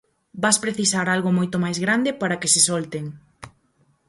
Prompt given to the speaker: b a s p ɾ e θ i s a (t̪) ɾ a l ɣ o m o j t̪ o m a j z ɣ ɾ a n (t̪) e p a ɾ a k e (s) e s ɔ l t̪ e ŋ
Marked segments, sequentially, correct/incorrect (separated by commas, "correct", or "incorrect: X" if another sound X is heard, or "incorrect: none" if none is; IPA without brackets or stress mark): incorrect: none, incorrect: d̪, correct